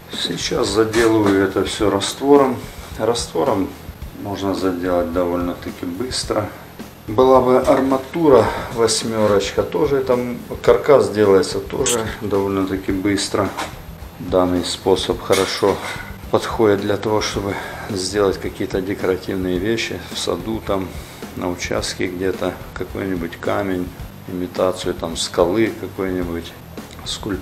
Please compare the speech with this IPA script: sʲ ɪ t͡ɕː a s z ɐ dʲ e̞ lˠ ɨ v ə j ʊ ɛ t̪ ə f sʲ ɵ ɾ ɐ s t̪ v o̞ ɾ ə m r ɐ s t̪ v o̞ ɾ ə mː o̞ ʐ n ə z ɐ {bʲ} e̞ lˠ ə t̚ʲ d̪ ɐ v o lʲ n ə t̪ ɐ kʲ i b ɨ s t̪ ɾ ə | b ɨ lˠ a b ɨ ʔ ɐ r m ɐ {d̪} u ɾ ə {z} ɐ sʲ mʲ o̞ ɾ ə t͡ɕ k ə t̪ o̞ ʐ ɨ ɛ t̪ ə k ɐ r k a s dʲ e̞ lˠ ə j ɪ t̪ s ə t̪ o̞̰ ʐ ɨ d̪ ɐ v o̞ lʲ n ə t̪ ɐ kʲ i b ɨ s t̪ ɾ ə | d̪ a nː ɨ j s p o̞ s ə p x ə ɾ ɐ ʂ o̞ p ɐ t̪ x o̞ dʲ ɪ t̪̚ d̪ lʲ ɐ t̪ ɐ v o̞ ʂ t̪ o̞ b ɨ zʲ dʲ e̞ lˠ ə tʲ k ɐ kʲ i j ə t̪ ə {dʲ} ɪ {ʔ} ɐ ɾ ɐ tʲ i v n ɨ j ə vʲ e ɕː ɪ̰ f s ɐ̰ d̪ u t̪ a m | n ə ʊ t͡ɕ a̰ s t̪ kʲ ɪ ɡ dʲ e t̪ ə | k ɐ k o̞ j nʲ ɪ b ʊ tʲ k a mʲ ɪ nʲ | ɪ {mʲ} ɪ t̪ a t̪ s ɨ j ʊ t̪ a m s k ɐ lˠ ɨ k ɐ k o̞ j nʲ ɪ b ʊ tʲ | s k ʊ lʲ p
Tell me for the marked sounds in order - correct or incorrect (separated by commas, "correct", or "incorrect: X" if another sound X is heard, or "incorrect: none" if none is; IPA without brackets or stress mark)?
incorrect: dʲ, incorrect: t̪, incorrect: v, correct, incorrect: k, correct